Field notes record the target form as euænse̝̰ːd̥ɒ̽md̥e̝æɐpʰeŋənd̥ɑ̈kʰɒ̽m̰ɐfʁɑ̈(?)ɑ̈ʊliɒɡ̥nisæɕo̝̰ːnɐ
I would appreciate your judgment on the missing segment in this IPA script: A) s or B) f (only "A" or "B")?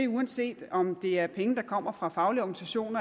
B